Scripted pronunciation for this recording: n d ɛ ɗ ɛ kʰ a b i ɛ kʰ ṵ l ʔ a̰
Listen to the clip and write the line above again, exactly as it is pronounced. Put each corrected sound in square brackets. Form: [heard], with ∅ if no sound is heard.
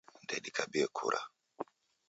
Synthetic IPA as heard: n d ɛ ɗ [i] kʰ a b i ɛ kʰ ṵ [ɾ] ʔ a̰